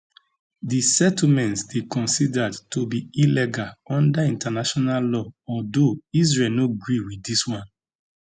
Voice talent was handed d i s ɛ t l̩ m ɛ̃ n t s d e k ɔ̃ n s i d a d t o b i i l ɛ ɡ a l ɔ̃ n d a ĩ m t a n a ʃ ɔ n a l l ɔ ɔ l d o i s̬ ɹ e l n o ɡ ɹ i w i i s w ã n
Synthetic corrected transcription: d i s ɛ t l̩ m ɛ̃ n t s d e k ɔ̃ n s i d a d t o b i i l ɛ ɡ a l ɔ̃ n d a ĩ n t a n a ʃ ɔ n a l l ɔ ɔ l d o i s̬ ɹ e l n o ɡ ɹ i w i i s w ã n